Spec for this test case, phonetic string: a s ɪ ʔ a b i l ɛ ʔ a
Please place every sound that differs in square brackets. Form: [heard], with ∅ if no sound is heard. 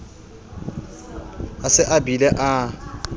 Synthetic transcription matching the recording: a s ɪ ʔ a b i l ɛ ʔ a